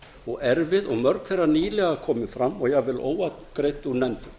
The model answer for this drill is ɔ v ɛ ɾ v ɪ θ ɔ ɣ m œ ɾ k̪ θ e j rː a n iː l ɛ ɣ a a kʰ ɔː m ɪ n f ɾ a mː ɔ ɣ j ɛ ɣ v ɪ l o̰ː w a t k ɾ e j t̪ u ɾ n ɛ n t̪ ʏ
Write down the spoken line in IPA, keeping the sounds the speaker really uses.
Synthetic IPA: ɔ ɣ ɛ ɾ v ɪ ð ɔ ɣ m œ ɾ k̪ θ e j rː a n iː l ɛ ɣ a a kʰ ɔː m ɪ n f ɾ a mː ɔ ɣ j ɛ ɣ v ɪ l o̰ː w a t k ɾ e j t̪ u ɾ n ɛ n t̪ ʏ